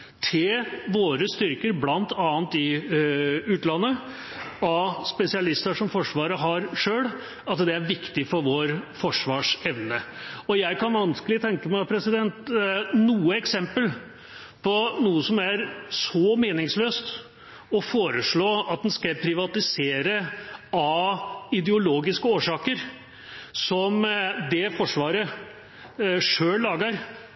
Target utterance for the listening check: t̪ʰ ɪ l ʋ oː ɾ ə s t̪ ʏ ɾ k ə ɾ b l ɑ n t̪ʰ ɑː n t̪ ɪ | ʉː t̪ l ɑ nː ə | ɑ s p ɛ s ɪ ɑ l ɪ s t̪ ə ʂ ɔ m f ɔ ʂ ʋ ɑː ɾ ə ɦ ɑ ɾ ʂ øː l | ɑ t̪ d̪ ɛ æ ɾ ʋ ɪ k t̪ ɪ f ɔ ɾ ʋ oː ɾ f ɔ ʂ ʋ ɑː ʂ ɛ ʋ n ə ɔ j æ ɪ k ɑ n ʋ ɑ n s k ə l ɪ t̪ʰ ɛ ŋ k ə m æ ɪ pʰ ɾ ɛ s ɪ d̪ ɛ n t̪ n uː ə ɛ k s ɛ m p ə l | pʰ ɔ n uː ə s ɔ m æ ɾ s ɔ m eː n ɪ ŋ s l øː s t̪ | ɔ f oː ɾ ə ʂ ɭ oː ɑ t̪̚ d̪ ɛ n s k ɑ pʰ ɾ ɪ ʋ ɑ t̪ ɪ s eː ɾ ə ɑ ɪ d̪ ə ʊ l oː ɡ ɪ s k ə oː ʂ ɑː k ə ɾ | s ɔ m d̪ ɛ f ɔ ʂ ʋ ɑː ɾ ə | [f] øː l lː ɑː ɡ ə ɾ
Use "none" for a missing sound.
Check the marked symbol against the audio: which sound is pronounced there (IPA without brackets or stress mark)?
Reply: ʂ